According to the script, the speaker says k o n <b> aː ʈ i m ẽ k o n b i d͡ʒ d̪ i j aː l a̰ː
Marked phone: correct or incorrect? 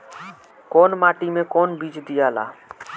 incorrect: m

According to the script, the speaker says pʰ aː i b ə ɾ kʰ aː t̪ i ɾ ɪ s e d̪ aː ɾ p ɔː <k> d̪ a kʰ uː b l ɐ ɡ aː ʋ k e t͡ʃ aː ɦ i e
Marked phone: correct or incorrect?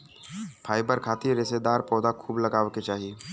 incorrect: none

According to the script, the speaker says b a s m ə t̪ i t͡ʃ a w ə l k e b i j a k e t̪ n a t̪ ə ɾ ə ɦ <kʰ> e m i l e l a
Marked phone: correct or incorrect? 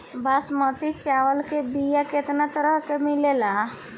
incorrect: k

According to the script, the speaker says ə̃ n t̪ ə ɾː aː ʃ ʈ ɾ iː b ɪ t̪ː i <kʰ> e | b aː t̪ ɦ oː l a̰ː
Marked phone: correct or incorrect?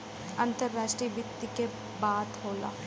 incorrect: k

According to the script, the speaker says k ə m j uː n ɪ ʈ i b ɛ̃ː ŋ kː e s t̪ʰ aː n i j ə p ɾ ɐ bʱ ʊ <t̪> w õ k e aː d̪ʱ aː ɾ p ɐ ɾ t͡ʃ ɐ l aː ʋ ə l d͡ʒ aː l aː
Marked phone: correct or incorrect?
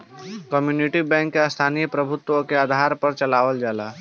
correct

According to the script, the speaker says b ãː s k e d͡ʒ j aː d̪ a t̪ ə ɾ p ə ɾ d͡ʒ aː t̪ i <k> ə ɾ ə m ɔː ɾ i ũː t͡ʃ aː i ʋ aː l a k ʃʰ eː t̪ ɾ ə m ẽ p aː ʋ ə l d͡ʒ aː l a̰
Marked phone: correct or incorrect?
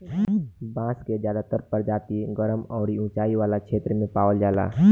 incorrect: ɡ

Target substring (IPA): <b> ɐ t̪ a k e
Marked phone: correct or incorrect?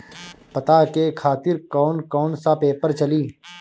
incorrect: p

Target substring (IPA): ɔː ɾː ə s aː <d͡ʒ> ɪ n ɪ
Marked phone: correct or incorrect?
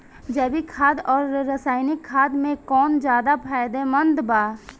incorrect: none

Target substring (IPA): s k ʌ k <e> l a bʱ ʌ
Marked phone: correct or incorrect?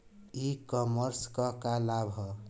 incorrect: a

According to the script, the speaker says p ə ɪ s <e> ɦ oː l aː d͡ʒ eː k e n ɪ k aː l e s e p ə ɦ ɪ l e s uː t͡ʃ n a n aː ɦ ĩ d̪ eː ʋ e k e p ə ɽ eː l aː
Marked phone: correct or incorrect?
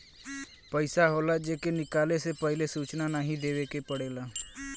incorrect: a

